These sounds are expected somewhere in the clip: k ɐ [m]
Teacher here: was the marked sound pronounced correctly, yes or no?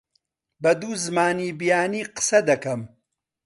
yes